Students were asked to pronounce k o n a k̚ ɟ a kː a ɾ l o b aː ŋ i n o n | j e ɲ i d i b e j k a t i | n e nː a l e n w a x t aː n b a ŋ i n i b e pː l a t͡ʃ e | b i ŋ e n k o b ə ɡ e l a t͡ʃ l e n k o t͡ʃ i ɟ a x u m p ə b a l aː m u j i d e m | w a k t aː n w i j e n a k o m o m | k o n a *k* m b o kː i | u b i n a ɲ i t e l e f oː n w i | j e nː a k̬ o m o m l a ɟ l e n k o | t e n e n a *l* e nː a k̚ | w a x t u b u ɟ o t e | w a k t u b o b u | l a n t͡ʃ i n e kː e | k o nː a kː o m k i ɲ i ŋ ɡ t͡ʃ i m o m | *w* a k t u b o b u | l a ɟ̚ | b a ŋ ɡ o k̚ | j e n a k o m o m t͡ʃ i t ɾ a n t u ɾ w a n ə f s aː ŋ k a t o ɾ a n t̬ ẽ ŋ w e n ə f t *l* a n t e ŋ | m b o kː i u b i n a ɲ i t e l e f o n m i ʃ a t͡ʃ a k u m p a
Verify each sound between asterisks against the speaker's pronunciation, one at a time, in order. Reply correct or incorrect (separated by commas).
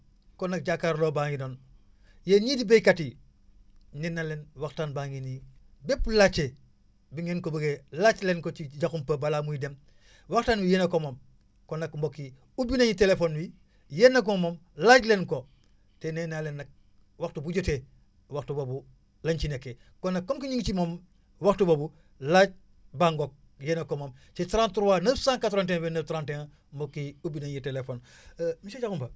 correct, correct, correct, incorrect